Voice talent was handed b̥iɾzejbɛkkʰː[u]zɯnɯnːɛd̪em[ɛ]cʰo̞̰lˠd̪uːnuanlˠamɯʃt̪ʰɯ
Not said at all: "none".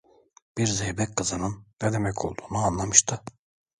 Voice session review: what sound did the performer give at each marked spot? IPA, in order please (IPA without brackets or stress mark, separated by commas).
ɯ, ɛ